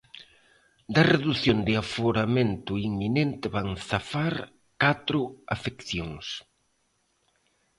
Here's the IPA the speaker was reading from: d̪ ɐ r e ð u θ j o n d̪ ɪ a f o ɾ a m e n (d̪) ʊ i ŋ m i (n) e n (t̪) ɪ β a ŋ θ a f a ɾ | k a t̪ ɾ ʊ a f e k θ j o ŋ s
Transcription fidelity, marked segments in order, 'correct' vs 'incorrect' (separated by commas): incorrect, correct, correct